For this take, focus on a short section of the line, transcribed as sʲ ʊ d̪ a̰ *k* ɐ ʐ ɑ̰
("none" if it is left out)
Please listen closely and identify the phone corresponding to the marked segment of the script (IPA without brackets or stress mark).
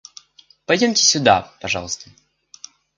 p